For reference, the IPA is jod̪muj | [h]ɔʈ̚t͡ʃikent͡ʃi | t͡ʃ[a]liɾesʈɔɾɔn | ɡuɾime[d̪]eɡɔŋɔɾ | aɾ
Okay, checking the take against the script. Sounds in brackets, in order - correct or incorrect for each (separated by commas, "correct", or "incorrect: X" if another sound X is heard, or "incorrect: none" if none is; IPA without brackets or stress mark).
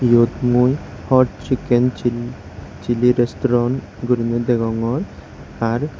correct, incorrect: i, correct